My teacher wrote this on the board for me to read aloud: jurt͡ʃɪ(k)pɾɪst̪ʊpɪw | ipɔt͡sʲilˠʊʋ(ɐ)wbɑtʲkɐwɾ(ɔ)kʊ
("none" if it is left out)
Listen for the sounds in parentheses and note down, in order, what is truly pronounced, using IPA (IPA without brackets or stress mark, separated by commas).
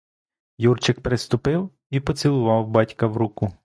k, ɑ, u